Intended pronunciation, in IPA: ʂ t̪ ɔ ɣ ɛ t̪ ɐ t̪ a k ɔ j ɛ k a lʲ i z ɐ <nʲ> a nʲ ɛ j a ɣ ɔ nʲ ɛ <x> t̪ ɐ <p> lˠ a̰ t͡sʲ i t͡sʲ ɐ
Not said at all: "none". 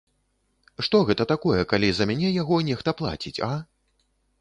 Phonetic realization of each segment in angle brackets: mʲ, x, p

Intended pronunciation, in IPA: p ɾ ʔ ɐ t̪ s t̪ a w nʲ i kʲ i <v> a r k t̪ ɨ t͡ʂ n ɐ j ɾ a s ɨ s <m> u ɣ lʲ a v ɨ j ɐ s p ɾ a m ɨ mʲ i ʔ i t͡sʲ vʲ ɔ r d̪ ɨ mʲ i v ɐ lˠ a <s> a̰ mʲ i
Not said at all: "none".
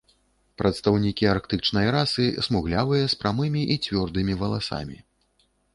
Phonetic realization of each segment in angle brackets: none, m, s

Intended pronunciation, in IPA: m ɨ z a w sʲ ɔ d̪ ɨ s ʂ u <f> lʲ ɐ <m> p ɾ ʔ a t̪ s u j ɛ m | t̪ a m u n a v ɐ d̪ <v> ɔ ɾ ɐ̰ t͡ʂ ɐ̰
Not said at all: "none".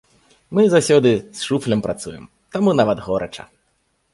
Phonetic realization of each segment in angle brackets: f, m, ɣ

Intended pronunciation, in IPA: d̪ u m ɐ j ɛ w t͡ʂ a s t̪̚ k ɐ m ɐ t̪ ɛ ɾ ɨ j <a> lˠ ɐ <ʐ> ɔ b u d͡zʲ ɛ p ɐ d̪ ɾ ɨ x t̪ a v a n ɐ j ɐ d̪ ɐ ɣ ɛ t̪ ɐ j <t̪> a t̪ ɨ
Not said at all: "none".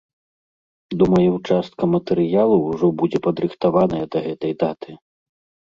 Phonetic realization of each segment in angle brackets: a, ʐ, d̪

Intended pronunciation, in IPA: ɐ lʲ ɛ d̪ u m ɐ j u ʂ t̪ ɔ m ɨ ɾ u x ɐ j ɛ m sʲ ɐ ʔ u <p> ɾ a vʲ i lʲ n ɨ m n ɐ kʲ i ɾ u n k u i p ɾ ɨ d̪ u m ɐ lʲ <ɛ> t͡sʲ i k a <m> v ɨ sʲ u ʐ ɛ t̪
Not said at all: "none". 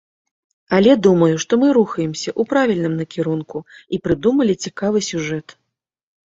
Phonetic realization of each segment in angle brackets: p, i, none

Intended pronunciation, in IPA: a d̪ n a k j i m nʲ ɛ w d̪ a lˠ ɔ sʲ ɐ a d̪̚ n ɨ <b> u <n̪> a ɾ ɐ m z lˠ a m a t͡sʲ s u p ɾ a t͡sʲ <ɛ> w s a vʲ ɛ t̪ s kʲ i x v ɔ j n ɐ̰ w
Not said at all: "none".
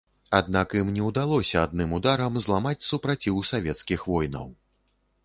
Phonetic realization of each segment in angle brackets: m, d̪, i

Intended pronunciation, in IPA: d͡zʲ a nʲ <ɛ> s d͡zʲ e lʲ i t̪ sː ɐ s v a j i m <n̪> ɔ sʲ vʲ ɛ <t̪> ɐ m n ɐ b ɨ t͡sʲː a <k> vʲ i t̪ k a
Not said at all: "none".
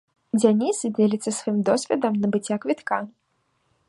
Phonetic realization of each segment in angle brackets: i, d̪, d̪, k

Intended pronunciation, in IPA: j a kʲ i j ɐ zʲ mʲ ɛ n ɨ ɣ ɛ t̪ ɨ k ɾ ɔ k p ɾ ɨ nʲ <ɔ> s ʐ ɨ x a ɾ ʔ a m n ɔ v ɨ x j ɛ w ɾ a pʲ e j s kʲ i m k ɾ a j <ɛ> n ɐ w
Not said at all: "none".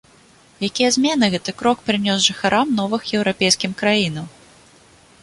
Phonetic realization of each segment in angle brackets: ɔ, i

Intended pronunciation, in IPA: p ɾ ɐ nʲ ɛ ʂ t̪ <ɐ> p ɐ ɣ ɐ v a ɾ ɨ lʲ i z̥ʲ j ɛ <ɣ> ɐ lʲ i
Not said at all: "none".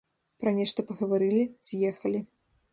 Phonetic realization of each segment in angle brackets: ɐ, x

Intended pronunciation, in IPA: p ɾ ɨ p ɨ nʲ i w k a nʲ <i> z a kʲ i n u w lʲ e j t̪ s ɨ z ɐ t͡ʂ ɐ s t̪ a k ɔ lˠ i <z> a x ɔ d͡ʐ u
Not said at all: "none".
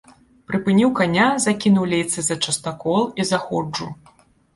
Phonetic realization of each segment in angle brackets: a, z

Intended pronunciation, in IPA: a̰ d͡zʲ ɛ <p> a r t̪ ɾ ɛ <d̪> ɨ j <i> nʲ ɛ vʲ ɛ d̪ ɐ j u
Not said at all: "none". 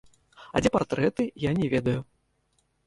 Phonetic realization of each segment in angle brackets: p, t̪, a

